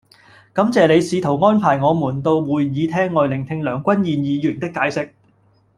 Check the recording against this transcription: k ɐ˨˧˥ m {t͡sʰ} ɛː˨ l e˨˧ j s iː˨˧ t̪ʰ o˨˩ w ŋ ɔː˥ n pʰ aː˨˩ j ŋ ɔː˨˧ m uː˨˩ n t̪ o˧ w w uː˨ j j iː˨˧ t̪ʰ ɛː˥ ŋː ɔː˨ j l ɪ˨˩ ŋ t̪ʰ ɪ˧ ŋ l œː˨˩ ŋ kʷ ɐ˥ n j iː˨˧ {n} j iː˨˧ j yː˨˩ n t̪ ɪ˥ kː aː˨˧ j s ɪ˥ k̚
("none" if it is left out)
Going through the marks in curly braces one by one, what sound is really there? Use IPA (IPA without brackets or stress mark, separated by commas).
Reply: t͡s, n